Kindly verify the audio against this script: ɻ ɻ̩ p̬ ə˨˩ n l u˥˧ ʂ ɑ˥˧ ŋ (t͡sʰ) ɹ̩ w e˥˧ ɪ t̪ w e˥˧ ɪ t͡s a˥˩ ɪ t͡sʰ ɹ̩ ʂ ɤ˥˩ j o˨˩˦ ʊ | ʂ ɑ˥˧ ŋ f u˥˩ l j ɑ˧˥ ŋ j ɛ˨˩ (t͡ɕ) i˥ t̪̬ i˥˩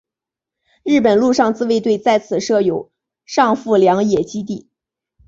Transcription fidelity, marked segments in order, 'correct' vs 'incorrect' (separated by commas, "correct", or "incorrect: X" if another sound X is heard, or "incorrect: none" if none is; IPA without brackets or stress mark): incorrect: t͡s, correct